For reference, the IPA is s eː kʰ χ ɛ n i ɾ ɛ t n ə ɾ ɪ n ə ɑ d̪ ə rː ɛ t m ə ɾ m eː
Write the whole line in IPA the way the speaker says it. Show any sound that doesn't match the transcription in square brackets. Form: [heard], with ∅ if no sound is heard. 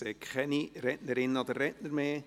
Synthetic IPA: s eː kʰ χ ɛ n i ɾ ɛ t n ə ɾ ɪ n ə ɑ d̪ ə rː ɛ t [n] ə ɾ m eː